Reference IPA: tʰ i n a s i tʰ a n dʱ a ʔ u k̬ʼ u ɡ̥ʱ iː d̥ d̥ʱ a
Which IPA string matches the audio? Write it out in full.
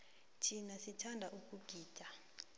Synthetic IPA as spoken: tʰ i n a s i tʰ a n dʱ a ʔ u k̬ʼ u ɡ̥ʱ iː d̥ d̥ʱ a